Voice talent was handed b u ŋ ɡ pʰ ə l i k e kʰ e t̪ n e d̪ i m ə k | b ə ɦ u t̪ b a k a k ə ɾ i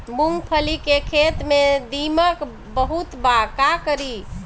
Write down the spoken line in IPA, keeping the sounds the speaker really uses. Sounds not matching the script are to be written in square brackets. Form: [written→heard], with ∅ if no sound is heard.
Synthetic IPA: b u ŋ ɡ pʰ ə l i k e kʰ e t̪ [n→m] e d̪ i m ə k | b ə ɦ u t̪ b a k a k ə ɾ i